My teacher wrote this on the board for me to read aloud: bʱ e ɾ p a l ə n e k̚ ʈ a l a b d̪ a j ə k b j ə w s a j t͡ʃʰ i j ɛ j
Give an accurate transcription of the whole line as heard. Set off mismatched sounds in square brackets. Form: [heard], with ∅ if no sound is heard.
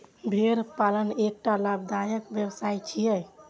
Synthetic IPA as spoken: bʱ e ɾ p a l ə n e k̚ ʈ a l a b d̪ a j ə k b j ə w s a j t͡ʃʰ i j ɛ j